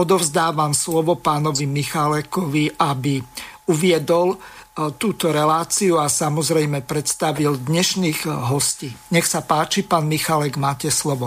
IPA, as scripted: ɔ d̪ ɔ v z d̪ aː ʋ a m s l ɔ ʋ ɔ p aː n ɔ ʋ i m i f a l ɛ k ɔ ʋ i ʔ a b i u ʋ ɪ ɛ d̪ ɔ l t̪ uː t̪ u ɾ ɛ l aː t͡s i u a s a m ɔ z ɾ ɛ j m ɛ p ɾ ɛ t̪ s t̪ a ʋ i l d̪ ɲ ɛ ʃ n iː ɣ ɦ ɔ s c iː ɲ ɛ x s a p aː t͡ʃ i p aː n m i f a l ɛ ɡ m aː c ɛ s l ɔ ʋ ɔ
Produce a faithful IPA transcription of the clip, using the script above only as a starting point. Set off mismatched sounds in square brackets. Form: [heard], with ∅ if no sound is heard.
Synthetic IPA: ɔ d̪ ɔ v z d̪ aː ʋ a m s l ɔ ʋ ɔ p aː n ɔ ʋ i m i [x] a l ɛ k ɔ ʋ i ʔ a b i u ʋ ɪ ɛ d̪ ɔ l t̪ uː t̪ [ɔ] ɾ ɛ l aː t͡s i u a s a m ɔ z ɾ ɛ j m ɛ p ɾ ɛ t̪ s t̪ a ʋ i l d̪ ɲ ɛ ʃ n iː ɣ ɦ ɔ s c iː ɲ ɛ x s a p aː t͡ʃ i p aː n m i [x] a l ɛ ɡ m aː c ɛ s l ɔ ʋ ɔ